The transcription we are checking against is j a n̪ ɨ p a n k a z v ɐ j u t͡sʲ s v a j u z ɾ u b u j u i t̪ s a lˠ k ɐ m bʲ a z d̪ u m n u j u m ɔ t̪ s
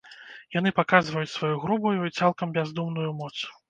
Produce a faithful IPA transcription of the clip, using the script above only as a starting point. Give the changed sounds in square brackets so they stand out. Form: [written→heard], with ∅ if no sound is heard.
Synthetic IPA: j a n̪ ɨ p a [n→∅] k a z v ɐ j u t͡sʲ s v a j u [z→ɣ] ɾ u b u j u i t̪ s a lˠ k ɐ m bʲ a z d̪ u m n u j u m ɔ t̪ s